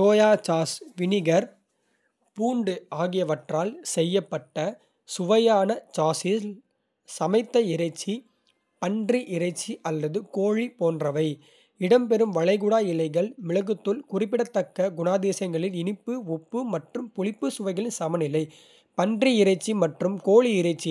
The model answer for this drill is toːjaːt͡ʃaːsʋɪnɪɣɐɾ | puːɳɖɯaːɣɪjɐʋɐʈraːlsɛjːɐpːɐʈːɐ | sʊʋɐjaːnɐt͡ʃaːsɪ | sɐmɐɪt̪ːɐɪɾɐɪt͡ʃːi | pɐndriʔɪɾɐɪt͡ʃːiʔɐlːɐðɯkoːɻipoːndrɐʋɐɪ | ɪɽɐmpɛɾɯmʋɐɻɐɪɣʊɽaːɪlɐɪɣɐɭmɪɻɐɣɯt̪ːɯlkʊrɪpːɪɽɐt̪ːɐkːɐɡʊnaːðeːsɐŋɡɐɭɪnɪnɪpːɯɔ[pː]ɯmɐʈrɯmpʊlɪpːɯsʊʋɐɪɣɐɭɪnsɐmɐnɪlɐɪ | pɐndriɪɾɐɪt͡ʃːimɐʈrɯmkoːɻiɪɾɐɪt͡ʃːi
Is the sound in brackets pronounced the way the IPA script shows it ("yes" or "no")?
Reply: yes